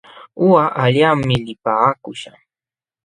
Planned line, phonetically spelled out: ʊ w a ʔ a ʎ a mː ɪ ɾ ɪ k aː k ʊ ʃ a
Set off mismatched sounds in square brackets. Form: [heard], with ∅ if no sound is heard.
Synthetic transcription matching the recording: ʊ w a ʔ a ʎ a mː ɪ [l] ɪ [p] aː k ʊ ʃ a